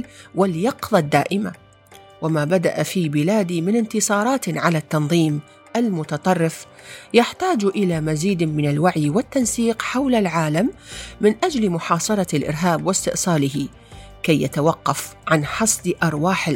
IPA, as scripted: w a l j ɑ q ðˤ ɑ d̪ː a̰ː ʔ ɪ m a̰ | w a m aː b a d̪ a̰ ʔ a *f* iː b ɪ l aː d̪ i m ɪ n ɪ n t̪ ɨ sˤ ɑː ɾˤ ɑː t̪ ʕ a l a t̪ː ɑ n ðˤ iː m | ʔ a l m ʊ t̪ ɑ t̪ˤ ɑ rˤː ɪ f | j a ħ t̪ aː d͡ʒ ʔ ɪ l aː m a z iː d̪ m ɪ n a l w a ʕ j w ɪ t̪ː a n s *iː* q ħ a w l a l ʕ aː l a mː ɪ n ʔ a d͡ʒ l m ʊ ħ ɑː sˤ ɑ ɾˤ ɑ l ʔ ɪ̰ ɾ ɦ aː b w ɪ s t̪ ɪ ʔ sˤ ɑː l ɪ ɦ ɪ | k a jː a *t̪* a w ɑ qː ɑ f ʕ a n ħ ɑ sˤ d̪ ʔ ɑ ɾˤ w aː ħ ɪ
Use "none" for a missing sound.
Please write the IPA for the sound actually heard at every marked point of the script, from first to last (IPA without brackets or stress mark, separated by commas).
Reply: f, iː, t̪